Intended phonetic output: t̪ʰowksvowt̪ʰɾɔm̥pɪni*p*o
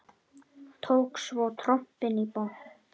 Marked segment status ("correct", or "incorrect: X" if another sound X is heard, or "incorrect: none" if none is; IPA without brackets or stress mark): correct